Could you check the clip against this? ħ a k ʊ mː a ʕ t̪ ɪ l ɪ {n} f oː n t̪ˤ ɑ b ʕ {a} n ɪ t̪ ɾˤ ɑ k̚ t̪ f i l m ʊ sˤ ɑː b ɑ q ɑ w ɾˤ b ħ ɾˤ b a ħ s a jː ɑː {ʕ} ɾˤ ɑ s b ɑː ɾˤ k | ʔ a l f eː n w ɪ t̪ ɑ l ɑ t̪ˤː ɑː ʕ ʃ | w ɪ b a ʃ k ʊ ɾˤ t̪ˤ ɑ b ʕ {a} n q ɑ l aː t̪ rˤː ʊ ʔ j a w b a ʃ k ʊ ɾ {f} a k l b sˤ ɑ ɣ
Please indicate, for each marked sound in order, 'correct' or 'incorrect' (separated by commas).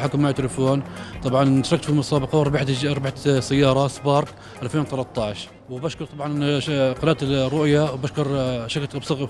incorrect, incorrect, incorrect, incorrect, incorrect